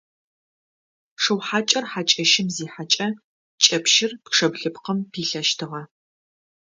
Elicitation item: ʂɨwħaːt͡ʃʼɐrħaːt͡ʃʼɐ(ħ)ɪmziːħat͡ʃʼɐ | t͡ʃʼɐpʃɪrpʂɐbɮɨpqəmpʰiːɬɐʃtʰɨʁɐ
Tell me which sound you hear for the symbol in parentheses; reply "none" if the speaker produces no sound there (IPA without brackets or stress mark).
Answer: ʃ